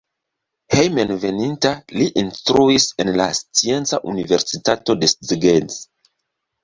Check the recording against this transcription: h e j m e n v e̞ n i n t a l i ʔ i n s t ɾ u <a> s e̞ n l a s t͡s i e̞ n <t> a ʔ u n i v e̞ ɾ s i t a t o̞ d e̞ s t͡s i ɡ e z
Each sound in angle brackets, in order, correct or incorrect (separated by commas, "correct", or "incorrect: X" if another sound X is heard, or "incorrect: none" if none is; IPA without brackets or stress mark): incorrect: i, incorrect: t͡s